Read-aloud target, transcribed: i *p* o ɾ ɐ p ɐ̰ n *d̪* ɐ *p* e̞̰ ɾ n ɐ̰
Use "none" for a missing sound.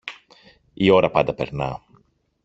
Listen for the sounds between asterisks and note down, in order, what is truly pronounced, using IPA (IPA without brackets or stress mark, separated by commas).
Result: none, d̪, p